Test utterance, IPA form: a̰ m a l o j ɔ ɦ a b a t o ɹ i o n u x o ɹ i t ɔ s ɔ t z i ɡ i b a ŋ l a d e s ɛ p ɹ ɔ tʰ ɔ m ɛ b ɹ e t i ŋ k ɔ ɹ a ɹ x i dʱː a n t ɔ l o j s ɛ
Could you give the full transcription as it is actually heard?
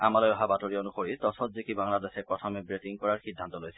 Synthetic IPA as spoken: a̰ m a l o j ɔ ɦ a b a t o ɹ i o n u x o ɹ i t ɔ s ɔ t z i k i b a ŋ l a d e s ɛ p ɹ ɔ tʰ ɔ m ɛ b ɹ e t i ŋ k ɔ ɹ a ɹ x i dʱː a n t ɔ l o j s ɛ